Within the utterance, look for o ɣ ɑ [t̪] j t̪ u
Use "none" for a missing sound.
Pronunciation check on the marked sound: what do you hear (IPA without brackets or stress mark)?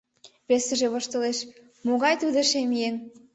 none